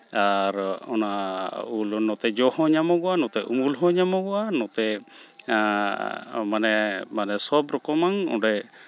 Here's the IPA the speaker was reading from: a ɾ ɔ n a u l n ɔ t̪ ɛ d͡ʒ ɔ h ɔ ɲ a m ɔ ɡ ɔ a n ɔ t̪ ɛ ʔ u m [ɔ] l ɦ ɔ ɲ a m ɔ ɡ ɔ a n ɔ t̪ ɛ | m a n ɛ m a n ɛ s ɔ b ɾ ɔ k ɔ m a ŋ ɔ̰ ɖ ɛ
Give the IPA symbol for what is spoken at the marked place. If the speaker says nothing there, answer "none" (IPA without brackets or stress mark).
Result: u